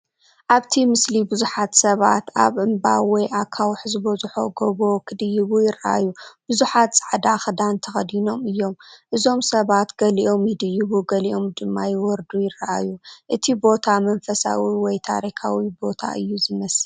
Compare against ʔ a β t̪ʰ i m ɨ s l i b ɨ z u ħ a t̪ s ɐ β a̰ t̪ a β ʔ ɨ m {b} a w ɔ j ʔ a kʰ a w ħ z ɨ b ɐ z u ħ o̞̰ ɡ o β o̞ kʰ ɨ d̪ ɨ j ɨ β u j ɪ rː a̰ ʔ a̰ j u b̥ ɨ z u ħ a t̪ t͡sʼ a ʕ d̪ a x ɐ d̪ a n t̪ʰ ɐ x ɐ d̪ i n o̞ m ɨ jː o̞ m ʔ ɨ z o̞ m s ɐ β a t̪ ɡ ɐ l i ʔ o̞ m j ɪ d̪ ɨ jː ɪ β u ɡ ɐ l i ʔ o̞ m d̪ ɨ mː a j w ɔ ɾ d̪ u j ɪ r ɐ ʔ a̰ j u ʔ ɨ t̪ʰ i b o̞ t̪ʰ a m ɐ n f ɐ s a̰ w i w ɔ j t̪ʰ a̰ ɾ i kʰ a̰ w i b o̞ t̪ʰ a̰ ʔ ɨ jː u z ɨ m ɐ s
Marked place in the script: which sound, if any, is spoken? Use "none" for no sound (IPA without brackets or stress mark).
b